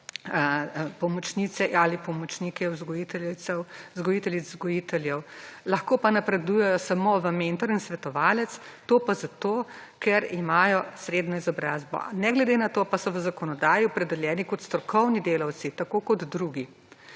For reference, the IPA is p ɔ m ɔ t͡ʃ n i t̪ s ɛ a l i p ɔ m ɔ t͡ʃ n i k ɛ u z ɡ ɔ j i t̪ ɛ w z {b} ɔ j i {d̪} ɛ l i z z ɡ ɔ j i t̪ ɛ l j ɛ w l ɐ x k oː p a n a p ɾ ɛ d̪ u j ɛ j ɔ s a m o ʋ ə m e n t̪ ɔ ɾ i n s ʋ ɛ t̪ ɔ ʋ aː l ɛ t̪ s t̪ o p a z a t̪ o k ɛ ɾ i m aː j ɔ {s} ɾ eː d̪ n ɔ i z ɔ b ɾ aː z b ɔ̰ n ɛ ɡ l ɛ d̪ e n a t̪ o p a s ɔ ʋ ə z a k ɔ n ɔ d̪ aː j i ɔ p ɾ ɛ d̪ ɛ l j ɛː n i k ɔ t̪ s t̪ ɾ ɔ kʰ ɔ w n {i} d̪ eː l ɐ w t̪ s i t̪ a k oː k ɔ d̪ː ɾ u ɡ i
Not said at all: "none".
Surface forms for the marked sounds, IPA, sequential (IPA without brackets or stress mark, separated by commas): ɡ, t̪, s, i